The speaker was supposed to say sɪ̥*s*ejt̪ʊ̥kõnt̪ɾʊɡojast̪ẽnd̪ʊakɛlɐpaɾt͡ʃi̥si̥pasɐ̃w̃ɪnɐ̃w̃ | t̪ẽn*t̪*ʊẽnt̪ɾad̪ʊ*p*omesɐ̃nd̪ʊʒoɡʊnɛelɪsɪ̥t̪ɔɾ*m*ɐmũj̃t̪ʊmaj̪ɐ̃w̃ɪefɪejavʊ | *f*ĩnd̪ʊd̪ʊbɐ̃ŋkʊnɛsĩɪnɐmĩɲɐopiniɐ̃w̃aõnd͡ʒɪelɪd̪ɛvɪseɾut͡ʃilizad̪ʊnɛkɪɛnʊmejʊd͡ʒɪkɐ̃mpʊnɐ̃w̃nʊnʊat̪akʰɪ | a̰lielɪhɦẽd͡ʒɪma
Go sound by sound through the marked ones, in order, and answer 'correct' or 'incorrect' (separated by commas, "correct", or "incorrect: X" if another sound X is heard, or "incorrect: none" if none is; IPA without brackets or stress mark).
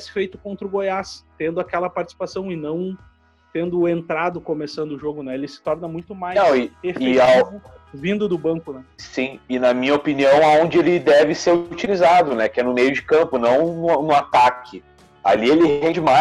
incorrect: f, incorrect: d̪, incorrect: k, incorrect: n, incorrect: v